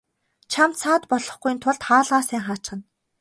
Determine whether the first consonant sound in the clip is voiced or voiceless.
voiceless